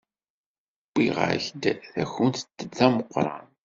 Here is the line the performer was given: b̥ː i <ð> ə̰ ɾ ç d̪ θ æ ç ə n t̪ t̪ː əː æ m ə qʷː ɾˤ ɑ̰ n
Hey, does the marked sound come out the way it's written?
no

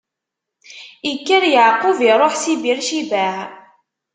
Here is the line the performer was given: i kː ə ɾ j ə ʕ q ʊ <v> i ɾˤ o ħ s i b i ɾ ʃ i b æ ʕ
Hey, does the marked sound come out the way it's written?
yes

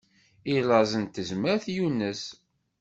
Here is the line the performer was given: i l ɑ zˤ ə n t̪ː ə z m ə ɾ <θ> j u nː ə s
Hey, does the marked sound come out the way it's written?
yes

